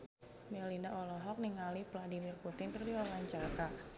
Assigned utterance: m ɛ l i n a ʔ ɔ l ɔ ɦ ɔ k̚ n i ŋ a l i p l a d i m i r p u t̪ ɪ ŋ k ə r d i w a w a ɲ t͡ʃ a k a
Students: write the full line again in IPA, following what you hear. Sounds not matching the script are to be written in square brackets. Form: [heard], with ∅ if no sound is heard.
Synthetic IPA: m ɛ l i n a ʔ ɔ l ɔ ɦ ɔ k̚ n i ŋ a l i p l a d i m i r p u t̪ ɪ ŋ k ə r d i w a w a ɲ t͡ʃ a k a